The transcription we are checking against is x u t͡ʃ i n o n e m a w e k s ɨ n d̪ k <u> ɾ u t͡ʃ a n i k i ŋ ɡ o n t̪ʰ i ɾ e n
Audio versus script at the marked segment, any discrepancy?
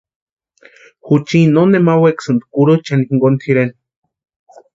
no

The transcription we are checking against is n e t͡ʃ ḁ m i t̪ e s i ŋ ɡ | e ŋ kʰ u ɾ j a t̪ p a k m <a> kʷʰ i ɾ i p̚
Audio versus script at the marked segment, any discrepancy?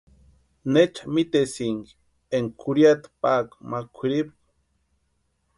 no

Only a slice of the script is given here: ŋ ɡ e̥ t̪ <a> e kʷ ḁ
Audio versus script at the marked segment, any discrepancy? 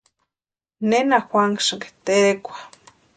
yes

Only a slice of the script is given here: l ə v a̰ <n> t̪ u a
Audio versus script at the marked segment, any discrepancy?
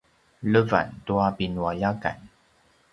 no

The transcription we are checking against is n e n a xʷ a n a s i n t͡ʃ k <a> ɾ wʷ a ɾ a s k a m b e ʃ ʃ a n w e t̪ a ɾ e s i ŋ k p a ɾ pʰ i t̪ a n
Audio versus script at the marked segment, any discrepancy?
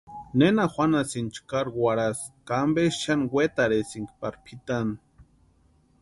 no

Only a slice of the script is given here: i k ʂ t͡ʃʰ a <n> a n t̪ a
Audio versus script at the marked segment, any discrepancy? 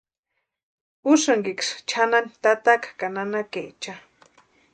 no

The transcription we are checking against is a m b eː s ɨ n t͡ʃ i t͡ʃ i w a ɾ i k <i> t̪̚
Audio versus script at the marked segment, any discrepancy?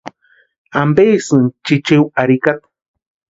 yes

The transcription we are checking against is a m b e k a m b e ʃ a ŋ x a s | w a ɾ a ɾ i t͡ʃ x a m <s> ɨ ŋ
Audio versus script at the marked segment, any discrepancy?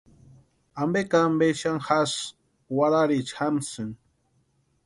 no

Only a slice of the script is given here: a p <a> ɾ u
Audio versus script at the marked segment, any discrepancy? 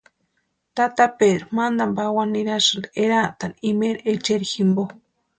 yes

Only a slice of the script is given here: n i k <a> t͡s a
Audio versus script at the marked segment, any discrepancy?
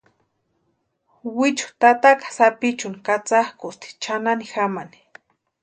no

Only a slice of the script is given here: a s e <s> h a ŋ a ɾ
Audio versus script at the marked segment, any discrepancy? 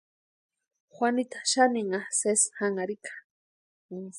no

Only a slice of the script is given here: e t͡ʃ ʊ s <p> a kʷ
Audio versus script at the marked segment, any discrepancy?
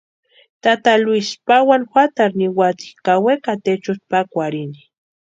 no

